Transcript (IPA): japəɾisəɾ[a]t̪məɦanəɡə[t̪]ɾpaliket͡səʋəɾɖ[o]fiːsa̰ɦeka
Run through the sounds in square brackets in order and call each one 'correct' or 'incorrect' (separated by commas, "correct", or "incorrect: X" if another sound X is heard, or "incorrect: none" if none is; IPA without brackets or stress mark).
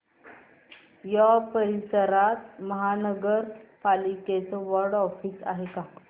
correct, incorrect: none, incorrect: ɔ